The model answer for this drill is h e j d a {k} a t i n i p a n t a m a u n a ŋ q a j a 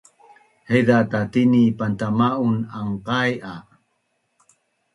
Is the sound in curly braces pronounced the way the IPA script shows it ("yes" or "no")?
no